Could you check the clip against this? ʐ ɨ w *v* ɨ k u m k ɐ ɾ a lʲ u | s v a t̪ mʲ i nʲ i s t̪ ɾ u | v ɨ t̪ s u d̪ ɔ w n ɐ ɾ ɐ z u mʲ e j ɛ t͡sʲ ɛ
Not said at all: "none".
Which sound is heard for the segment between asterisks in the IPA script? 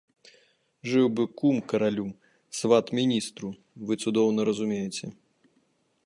b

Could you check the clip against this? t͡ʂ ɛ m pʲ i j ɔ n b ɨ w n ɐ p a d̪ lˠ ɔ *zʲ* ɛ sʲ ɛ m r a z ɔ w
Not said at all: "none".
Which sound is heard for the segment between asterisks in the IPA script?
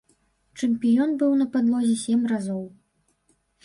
zʲ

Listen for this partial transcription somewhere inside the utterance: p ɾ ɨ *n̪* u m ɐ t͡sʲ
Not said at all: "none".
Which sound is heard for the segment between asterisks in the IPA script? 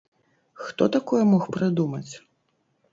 d̪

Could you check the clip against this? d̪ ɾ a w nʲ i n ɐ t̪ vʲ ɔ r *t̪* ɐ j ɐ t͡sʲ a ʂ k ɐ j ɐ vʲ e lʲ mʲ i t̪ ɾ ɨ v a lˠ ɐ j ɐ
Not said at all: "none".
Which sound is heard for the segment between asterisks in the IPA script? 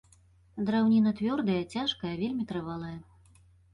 d̪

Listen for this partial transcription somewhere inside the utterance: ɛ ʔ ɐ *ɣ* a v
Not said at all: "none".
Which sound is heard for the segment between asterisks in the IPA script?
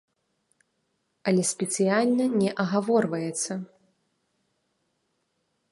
ɣ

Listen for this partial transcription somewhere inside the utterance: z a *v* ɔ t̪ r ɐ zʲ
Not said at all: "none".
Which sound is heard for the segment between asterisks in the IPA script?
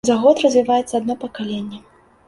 ɣ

